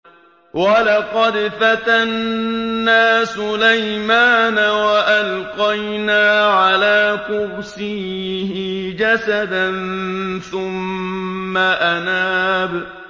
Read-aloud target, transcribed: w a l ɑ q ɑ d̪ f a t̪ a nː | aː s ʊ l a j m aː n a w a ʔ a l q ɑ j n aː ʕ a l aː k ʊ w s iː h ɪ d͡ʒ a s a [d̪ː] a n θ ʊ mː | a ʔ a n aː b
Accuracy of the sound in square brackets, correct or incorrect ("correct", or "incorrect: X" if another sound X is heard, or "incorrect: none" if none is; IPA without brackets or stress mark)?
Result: incorrect: d̪